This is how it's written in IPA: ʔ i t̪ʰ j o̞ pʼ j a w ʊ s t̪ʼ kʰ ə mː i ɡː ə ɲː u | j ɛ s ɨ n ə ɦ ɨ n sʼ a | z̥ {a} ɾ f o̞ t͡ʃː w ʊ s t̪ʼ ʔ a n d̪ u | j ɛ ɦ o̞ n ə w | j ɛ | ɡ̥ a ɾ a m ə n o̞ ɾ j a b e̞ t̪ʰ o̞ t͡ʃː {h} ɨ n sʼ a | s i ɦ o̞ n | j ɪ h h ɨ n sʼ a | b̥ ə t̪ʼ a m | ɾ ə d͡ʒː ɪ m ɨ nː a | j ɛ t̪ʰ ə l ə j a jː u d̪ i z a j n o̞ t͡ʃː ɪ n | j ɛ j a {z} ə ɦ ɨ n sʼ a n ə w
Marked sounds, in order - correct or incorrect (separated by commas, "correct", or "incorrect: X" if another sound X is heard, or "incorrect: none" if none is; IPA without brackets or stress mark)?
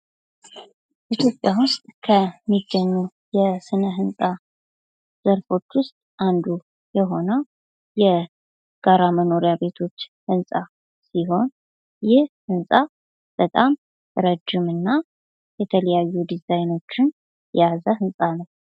incorrect: ə, correct, correct